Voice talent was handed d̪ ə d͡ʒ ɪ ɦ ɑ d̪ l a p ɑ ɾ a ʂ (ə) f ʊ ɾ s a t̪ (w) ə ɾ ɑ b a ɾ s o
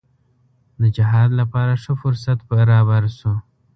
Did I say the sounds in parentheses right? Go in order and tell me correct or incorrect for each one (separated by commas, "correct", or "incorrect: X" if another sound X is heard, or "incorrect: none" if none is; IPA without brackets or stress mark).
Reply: correct, incorrect: b